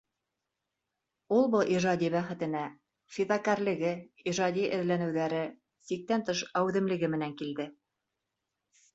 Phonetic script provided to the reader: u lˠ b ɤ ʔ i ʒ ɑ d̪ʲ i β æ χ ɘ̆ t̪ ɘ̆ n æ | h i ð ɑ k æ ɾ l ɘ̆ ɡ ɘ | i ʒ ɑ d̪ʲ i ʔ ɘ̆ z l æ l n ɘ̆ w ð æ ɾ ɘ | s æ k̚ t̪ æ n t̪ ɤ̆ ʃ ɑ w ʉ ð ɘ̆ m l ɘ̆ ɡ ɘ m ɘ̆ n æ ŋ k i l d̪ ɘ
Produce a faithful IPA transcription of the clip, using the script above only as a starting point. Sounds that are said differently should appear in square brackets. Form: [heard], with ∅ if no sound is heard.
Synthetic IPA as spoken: u lˠ b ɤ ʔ i ʒ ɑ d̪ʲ i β æ χ ɘ̆ t̪ ɘ̆ n æ | [f] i ð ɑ k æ ɾ l ɘ̆ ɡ ɘ | i ʒ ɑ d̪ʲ i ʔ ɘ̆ [ð] l æ [∅] n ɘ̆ w ð æ ɾ ɘ | s [i] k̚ t̪ æ n t̪ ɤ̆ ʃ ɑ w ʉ ð ɘ̆ m l ɘ̆ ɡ ɘ m ɘ̆ n æ ŋ k i l d̪ ɘ